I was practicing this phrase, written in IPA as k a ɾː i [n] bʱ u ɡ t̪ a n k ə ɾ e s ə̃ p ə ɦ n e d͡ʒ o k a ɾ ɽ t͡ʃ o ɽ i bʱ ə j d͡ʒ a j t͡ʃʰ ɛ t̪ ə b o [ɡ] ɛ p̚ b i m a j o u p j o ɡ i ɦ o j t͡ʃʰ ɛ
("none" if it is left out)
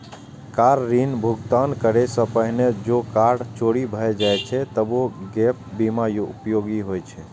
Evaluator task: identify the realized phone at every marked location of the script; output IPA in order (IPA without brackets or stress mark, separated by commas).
n, ɡ